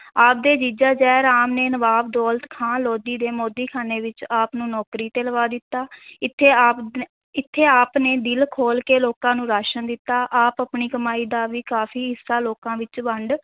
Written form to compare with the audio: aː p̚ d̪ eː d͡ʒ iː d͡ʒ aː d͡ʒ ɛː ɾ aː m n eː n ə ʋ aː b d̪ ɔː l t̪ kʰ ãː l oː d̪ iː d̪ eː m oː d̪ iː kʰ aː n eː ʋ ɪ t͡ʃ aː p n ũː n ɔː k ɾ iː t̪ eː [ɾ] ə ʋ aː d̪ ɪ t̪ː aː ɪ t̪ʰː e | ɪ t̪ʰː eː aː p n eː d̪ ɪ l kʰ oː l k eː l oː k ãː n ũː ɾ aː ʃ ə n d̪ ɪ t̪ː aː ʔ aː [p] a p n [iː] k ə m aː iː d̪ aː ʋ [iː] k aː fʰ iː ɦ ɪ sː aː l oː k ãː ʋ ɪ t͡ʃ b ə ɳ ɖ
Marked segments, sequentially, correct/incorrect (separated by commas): incorrect, correct, correct, correct